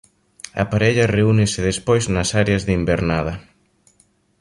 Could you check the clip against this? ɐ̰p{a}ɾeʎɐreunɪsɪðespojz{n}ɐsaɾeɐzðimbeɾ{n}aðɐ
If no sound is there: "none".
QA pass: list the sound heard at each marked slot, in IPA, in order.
a, n, n

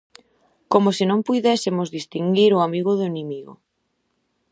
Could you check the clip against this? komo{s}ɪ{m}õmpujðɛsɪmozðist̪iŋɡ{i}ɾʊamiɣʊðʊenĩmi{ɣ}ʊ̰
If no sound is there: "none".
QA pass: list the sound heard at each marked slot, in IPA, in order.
s, n, i, ɣ

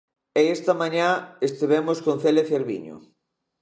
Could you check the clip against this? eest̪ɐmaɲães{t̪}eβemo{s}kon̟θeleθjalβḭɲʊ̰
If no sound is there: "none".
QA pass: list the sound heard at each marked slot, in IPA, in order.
t̪, s

